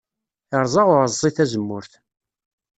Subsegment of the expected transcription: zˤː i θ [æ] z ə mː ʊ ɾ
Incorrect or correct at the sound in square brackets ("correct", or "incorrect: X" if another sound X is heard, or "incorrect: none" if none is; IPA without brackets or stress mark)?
correct